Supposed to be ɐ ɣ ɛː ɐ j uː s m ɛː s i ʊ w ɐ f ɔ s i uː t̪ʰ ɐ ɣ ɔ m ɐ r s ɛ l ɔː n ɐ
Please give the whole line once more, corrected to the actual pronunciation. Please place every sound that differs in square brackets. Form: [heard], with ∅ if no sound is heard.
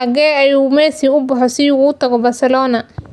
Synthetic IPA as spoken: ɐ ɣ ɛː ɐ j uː [∅] m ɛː s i ʊ [b] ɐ [ħ] ɔ s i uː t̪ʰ ɐ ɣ ɔ [b] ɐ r s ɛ l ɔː n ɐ

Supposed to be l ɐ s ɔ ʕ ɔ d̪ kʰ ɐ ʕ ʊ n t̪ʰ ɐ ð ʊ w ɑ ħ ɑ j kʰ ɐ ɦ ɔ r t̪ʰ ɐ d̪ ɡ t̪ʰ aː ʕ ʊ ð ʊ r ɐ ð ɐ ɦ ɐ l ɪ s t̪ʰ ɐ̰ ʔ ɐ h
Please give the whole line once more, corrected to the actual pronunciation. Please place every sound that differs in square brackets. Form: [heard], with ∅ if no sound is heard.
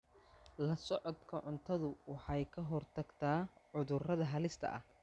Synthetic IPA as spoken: l ɐ s ɔ ʕ ɔ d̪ kʰ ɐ ʕ ʊ n t̪ʰ ɐ ð ʊ w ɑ ħ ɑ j kʰ ɐ ɦ ɔ r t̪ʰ ɐ [∅] ɡ t̪ʰ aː ʕ ʊ ð ʊ r ɐ ð ɐ ɦ ɐ l ɪ s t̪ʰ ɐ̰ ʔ ɐ h

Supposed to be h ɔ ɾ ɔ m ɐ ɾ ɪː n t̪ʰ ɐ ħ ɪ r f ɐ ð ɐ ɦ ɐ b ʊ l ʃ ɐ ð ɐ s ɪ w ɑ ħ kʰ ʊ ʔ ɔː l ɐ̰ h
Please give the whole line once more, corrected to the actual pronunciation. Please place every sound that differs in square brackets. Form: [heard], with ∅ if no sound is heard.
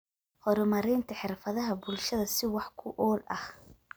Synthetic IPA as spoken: h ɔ ɾ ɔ m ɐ ɾ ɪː n t̪ʰ ɐ ħ ɪ r f ɐ ð ɐ ɦ ɐ b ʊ l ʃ ɐ ð ɐ s ɪ w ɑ ħ kʰ ʊ ʔ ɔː l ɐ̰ h

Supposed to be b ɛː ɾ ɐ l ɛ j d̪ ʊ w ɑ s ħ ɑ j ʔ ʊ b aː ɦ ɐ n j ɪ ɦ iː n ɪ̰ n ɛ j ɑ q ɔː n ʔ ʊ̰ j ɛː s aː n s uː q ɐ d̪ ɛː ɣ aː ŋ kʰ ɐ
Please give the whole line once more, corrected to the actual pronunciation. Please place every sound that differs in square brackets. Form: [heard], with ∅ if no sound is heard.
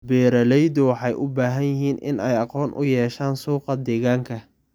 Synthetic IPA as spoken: b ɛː ɾ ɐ l ɛ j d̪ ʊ w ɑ [∅] ħ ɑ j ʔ ʊ b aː ɦ ɐ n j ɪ ɦ iː n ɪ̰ n ɛ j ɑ q ɔː n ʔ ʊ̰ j ɛː [ʃ] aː n s uː q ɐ d̪ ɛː ɣ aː ŋ kʰ ɐ

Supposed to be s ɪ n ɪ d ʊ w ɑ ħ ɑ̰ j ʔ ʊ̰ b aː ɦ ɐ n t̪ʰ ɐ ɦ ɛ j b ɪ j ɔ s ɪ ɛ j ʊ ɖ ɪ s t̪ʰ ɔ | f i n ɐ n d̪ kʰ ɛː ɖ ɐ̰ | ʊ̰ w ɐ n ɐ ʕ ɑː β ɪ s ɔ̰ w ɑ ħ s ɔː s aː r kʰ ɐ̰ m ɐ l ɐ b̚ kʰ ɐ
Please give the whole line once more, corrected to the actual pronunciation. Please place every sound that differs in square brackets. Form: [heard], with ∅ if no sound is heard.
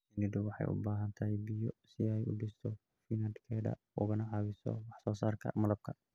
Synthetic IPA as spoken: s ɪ n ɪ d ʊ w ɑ ħ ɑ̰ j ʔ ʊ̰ b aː ɦ ɐ n t̪ʰ ɐ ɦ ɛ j b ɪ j ɔ s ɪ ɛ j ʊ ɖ ɪ s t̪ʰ ɔ | f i n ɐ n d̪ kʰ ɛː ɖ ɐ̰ | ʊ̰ [ɣ] ɐ n ɐ ʕ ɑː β ɪ s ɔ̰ w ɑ ħ s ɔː s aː r kʰ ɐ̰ m ɐ l ɐ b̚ kʰ ɐ

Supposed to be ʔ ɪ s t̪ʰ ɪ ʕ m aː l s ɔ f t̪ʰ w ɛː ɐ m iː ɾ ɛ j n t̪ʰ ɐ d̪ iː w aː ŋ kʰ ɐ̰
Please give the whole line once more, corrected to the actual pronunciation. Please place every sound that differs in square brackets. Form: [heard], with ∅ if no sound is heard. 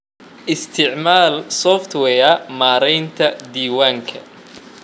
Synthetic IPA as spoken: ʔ ɪ s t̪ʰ ɪ ʕ m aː l s ɔ f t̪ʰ w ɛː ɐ m [aː] ɾ ɛ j n t̪ʰ ɐ d̪ iː w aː ŋ kʰ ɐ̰

